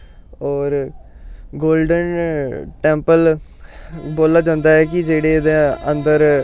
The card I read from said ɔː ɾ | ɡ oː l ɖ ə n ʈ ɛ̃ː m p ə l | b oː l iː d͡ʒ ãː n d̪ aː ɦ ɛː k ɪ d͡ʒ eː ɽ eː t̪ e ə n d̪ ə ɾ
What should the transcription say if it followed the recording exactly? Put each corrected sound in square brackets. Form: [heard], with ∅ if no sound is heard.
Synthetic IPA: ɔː ɾ | ɡ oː l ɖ ə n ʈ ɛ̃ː m p ə l | b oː l [aː] d͡ʒ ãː n d̪ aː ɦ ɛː k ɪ d͡ʒ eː ɽ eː [d̪] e ə n d̪ ə ɾ